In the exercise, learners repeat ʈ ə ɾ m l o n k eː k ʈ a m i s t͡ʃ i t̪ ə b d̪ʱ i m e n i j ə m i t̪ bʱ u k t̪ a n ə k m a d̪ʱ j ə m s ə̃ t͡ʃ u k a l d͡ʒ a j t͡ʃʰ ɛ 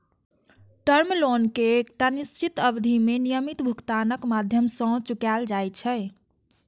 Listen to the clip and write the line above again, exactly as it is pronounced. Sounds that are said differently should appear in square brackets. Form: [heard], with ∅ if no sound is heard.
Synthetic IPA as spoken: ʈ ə ɾ m l o n k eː k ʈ a [n] i s t͡ʃ i t̪ ə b d̪ʱ i m e n i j ə m i t̪ bʱ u k t̪ a n ə k m a d̪ʱ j ə m s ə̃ t͡ʃ u k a l d͡ʒ a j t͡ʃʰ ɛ